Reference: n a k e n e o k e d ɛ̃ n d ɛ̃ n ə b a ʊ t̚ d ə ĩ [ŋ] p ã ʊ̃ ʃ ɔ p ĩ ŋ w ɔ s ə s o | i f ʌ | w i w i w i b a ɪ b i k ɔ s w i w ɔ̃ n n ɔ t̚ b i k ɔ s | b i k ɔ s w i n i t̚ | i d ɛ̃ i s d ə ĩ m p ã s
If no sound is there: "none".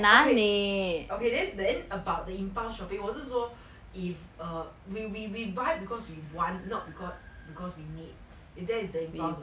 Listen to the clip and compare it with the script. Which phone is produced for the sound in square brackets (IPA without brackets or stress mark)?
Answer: m